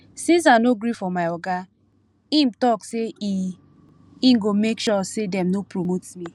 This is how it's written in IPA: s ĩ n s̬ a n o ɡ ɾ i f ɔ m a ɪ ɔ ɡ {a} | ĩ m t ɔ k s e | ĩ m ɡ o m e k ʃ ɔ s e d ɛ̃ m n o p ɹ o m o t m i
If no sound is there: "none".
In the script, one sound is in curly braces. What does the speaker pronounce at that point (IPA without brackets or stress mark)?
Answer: a